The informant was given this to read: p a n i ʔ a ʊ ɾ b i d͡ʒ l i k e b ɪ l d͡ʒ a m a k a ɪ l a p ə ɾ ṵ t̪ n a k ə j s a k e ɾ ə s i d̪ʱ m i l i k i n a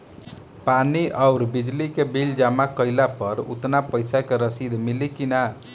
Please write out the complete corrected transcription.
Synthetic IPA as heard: p a n i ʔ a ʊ ɾ b i d͡ʒ l i k e b i l d͡ʒ a m a k ə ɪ l a p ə ɾ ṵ t̪ n a p ə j s a k e ɾ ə s i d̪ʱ m i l i k i n a

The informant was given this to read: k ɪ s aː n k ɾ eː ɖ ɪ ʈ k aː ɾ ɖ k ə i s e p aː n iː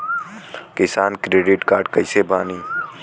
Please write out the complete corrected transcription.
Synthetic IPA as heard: k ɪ s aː n k ɾ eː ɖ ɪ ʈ k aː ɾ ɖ k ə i s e b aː n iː

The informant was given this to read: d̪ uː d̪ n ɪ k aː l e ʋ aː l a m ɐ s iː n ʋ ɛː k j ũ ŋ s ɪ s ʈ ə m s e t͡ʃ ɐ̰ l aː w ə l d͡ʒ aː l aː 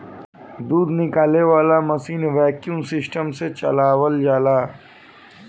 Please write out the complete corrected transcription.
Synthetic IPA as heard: d̪ uː d̪ n ɪ k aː l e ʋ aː l a m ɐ s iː n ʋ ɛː k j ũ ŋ s ɪ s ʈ ə m s e t͡ʃ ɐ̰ l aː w ə l d͡ʒ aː l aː

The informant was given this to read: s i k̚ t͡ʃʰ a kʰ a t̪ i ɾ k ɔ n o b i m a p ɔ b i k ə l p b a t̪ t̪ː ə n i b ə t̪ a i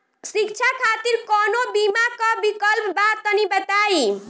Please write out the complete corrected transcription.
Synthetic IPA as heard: s i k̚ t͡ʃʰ a kʰ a t̪ i ɾ k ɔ n o b i m a k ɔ b i k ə l p b a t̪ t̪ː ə n i b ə t̪ a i

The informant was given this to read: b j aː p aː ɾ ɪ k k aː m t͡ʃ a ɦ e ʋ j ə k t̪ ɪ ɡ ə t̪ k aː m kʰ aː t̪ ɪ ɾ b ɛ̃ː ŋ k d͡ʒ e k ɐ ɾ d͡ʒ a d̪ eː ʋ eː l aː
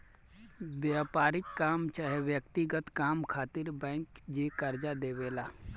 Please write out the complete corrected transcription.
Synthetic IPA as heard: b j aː p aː ɾ ɪ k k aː m t͡ʃ a ɦ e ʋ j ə k t̪ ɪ ɡ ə t̪ k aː m kʰ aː t̪ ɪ ɾ b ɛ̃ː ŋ k d͡ʒ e k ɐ ɾ d͡ʒ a d̪ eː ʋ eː l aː

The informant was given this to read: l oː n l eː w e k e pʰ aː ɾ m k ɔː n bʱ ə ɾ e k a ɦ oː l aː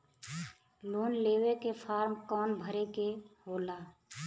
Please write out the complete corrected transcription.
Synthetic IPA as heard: l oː n l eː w e k e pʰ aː ɾ m k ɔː n bʱ ə ɾ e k e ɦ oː l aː

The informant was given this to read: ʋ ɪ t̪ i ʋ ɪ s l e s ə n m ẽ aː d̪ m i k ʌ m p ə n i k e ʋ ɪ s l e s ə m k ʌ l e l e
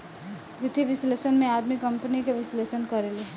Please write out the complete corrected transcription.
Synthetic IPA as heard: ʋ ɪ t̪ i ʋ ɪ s l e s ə n m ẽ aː d̪ m i k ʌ m p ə n i k e ʋ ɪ s l e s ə n k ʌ ɾ e l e

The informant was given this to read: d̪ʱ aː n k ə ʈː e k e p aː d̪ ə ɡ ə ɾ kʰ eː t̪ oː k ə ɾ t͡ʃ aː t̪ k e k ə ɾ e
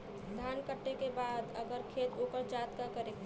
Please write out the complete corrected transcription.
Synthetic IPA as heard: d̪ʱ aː n k ə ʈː e k e b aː d̪ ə ɡ ə ɾ kʰ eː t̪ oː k ə ɾ t͡ʃ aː t̪ k a k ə ɾ e

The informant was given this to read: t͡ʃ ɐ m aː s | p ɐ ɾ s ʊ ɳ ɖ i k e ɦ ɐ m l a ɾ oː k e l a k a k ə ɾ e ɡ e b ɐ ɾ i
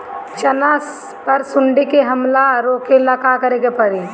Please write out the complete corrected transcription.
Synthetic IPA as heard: t͡ʃ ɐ n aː s | p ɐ ɾ s ʊ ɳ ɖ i k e ɦ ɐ m l a ɾ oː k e l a k a k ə ɾ e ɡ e p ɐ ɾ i

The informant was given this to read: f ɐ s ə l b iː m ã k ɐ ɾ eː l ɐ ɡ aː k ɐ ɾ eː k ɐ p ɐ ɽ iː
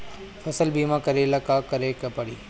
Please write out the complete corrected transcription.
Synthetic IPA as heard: f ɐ s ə l b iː m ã k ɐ ɾ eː l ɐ k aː k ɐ ɾ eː k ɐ p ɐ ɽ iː

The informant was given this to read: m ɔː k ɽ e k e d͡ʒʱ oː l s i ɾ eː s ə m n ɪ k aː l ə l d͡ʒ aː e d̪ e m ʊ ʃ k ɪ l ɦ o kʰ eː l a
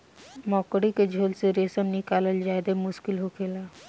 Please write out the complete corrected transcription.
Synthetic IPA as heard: m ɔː k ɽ i k e d͡ʒʱ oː l s e ɾ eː s ə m n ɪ k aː l ə l d͡ʒ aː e d̪ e m ʊ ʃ k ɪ l ɦ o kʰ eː l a

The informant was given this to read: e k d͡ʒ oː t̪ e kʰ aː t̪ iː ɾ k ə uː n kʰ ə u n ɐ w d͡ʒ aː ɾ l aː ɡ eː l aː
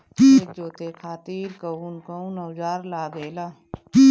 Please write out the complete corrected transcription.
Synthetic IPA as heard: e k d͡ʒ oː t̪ e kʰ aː t̪ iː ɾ k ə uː n k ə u n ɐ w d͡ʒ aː ɾ l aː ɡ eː l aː

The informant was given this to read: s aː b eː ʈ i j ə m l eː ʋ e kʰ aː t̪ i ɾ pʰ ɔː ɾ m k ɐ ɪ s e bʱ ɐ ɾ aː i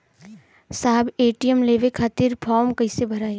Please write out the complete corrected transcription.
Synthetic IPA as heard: s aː b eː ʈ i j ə m l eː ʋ e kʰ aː t̪ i ɾ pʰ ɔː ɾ m k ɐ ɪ s e bʱ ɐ ɾ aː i

